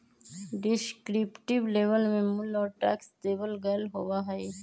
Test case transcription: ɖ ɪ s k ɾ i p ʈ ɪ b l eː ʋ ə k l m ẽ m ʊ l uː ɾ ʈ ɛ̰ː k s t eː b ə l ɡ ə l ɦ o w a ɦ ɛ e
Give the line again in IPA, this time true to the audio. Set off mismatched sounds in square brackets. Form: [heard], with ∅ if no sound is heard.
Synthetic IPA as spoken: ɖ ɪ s k ɾ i p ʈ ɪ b l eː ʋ ə [∅] l m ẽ m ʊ l [ɔː] ɾ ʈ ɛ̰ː k s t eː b ə l ɡ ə l ɦ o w a ɦ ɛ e